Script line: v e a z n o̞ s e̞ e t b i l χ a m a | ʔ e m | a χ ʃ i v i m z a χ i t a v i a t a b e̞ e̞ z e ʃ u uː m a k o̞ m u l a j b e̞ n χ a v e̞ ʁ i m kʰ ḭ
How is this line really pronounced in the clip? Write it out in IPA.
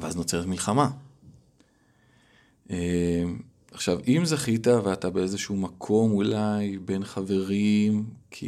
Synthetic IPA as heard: v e a z n o̞ t͡s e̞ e t m i l χ a m a | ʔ e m | a χ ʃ a v i m z a χ i t a v e a t a b e̞ e̞ z e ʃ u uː m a kʰ o̞ m u l a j b e̞ n χ a v e̞ ʁ i m kʰ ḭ